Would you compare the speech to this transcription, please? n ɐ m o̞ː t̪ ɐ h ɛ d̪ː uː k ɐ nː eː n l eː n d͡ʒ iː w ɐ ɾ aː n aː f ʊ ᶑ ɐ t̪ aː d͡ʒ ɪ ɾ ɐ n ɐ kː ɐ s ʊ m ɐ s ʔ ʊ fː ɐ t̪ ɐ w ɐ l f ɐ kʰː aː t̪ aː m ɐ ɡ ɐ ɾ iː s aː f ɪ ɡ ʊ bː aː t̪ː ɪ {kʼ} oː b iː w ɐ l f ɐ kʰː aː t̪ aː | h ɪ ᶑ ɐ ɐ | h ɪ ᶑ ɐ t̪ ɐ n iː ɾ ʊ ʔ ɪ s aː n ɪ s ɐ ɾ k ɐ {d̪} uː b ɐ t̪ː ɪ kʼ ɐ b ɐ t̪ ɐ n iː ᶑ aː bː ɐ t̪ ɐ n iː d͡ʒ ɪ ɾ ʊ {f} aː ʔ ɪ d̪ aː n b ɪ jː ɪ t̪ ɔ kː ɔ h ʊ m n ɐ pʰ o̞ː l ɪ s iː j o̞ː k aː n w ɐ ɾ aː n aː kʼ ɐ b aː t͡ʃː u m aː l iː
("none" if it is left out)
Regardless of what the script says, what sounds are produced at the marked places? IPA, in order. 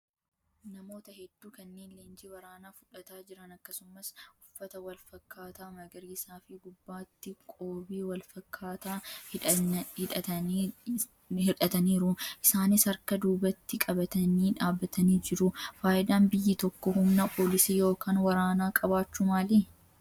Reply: kʼ, d̪, f

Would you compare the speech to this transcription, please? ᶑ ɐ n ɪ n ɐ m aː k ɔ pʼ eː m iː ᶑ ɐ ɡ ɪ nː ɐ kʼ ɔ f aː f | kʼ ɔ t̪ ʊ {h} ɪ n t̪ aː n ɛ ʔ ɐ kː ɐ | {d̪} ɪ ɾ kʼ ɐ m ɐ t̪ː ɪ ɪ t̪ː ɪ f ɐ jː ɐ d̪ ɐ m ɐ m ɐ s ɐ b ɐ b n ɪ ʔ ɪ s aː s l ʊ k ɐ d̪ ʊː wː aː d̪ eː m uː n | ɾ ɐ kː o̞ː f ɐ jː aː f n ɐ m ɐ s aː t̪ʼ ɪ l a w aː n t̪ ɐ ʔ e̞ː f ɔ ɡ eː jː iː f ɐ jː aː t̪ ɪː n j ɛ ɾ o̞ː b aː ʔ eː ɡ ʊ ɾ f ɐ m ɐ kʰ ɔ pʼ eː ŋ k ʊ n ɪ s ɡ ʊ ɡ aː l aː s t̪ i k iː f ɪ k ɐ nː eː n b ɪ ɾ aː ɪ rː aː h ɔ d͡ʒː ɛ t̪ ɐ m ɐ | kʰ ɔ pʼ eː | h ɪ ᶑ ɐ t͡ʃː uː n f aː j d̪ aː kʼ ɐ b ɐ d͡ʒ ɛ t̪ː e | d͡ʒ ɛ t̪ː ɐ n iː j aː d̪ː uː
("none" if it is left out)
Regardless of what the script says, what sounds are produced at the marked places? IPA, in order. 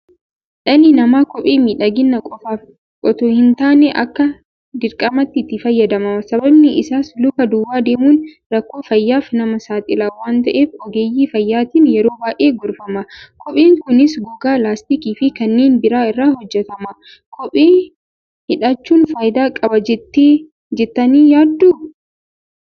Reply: h, d̪

